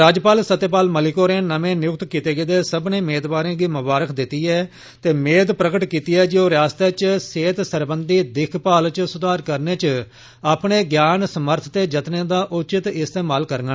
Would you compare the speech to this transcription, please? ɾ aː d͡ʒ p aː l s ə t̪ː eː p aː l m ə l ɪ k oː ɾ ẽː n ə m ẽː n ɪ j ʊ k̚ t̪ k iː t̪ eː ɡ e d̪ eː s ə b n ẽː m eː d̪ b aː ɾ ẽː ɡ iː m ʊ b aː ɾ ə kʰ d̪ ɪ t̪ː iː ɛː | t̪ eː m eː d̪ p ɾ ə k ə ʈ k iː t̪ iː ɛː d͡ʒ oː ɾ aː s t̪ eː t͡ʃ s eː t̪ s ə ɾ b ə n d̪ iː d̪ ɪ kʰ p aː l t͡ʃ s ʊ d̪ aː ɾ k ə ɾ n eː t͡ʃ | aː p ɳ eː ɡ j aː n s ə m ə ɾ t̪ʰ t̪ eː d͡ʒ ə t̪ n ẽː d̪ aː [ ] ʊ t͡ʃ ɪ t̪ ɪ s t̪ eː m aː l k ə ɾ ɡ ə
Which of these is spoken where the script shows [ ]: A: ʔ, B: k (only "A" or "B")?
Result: A